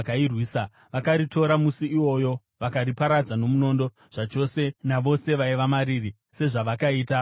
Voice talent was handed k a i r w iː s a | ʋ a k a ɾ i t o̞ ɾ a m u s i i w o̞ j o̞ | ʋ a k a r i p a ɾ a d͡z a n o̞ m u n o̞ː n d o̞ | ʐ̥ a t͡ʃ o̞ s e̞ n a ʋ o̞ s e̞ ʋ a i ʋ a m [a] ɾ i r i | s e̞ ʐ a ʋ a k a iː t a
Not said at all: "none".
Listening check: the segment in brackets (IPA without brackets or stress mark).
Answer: a